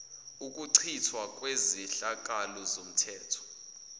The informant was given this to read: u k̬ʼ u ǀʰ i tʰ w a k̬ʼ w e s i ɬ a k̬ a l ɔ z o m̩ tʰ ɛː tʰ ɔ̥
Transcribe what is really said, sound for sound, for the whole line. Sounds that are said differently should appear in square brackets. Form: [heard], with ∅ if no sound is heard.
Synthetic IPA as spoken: u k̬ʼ u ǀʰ i tʰ w a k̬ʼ w e [z] i ɬ a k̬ a l ɔ z o m̩ tʰ ɛː tʰ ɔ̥